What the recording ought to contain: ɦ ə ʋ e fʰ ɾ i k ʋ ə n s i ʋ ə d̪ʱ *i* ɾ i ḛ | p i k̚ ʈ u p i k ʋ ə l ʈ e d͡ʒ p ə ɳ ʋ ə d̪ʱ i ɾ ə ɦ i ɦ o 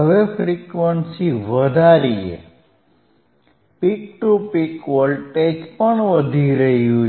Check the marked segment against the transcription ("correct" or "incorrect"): incorrect